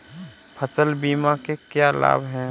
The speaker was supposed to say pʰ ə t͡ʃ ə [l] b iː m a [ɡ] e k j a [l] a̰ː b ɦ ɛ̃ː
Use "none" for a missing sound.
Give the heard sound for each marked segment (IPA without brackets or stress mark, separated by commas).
l, k, l